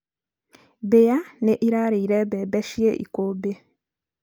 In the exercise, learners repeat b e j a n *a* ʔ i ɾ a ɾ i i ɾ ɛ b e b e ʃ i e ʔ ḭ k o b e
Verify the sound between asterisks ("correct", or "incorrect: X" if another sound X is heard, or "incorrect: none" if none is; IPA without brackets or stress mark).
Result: incorrect: e